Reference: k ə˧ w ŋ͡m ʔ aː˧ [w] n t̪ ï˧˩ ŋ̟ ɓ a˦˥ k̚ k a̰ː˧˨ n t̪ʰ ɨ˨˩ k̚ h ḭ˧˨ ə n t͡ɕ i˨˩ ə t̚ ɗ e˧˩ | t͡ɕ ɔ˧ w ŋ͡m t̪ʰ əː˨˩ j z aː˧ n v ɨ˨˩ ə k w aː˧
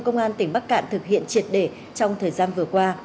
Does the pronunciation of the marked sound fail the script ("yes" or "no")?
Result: yes